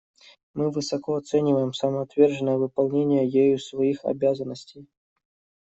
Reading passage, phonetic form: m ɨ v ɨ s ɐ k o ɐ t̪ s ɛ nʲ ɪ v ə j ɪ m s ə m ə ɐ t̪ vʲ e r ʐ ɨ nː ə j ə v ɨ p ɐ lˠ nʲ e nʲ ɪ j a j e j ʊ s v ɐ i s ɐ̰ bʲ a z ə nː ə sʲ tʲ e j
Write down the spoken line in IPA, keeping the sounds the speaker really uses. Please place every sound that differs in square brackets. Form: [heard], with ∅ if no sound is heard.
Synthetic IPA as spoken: m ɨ v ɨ s ɐ k o ɐ t̪ s ɛ nʲ ɪ v ə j ɪ m s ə m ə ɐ t̪ vʲ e r ʐ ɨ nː ə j ə v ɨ p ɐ lˠ nʲ e nʲ ɪ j [ə] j e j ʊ s v ɐ i [x] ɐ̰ bʲ a z ə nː ə sʲ tʲ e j

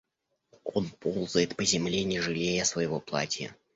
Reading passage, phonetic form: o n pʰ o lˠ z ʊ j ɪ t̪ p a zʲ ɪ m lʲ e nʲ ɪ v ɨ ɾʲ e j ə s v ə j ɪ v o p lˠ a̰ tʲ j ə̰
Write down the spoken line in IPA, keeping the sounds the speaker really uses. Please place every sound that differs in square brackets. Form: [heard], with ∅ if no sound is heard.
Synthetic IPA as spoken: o n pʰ o lˠ z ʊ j ɪ t̪ p [ə] zʲ ɪ m lʲ e nʲ ɪ [ʐ] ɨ [lʲ] e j ə s v ə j ɪ v o p lˠ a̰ tʲ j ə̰

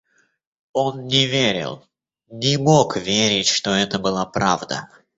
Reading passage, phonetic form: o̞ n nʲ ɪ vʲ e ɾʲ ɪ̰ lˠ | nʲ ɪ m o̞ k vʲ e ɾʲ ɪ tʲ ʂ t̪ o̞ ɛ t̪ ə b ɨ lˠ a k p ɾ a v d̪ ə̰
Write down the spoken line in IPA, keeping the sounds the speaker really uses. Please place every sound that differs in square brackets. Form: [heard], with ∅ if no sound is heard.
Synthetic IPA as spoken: o̞ n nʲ ɪ vʲ e ɾʲ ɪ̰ lˠ | nʲ ɪ m o̞ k vʲ e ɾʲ ɪ tʲ ʂ t̪ o̞ ɛ t̪ ə b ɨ lˠ a [∅] p ɾ a v d̪ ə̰

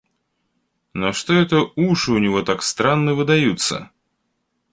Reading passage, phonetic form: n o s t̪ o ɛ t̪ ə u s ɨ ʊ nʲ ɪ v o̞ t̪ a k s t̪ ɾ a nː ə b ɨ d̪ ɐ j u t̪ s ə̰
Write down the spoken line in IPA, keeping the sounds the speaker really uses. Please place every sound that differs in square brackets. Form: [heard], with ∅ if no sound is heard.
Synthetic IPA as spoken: n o [ʂ] t̪ o ɛ t̪ ə u [ʂ] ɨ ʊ nʲ ɪ v o̞ t̪ a k s t̪ ɾ a nː ə [v] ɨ d̪ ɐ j u t̪ s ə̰

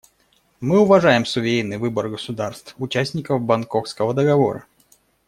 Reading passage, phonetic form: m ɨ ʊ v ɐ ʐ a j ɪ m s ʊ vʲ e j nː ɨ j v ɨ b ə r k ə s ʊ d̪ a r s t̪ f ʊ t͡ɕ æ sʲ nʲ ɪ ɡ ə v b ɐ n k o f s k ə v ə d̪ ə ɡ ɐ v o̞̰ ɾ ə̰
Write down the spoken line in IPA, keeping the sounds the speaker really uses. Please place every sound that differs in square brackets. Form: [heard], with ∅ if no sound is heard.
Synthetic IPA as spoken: m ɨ ʊ v ɐ ʐ a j ɪ m s ʊ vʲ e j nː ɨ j v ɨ b ə r [ɡ] ə s ʊ d̪ a r s t̪ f ʊ t͡ɕ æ sʲ nʲ ɪ [k] ə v b ɐ n k o f s k ə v ə d̪ ə ɡ ɐ v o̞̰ ɾ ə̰

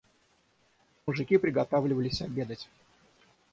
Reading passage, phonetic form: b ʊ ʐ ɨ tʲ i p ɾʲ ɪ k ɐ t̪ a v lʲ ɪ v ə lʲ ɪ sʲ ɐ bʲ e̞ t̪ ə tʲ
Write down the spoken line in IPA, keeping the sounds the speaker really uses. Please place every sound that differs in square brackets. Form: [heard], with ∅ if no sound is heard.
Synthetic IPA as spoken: [m] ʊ ʐ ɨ [kʲ] i p ɾʲ ɪ [ɡ] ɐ t̪ a v lʲ ɪ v ə lʲ ɪ sʲ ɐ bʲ e̞ [d̪] ə tʲ

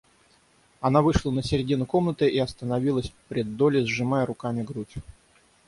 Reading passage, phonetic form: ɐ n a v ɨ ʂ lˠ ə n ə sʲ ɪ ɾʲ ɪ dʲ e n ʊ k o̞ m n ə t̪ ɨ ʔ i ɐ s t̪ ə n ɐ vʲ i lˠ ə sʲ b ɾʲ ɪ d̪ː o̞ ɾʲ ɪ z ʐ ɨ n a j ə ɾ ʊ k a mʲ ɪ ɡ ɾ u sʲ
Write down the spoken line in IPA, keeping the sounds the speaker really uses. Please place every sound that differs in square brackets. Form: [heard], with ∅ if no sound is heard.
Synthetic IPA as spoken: ɐ n a v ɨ ʂ lˠ ə n ə sʲ ɪ ɾʲ ɪ dʲ [i] n ʊ k o̞ m n ə t̪ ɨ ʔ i ɐ s t̪ ə n ɐ vʲ i lˠ ə sʲ [p] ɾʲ ɪ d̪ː o̞ [lʲ] ɪ z ʐ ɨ [m] a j ə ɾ ʊ k a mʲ ɪ ɡ ɾ u [tʲ]

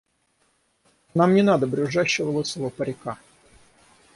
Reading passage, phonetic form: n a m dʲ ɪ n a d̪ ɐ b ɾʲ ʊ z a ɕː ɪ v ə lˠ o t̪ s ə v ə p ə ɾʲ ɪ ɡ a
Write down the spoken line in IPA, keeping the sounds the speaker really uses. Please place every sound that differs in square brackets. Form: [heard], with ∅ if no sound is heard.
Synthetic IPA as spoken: n a m [nʲ] ɪ n a d̪ [ə] b ɾʲ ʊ [ʐ] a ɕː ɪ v ə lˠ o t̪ s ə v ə p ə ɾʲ ɪ [k] a

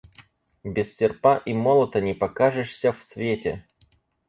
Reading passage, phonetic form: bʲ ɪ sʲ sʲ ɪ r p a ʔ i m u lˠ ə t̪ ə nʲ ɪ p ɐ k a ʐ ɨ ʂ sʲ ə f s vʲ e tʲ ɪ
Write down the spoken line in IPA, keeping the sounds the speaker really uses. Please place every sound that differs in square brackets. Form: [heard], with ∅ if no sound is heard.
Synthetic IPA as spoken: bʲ ɪ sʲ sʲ ɪ r p a ʔ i m [o] lˠ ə t̪ ə nʲ ɪ p ɐ k a ʐ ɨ ʂ sʲ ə f s vʲ e tʲ ɪ

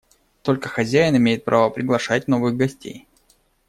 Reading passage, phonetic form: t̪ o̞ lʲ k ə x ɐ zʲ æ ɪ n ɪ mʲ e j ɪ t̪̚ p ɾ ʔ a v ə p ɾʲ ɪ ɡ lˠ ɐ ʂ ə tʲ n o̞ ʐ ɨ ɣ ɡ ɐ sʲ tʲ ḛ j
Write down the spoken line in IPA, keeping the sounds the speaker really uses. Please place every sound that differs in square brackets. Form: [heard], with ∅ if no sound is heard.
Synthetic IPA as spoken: t̪ o̞ lʲ k ə x ɐ zʲ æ ɪ n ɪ mʲ e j ɪ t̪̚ p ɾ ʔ a v ə p ɾʲ ɪ ɡ lˠ ɐ ʂ [a] tʲ n o̞ [v] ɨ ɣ ɡ ɐ sʲ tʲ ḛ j

